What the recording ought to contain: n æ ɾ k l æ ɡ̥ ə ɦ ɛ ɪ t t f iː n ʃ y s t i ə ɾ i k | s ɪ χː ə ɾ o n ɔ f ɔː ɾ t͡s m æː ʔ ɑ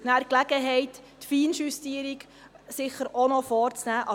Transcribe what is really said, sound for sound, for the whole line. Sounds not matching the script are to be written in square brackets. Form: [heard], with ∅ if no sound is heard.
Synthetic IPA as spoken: n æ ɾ k l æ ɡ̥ ə ɦ ɛ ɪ t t f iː n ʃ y s t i ə ɾ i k | s ɪ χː ə ɾ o n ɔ f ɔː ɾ t͡s [n] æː ʔ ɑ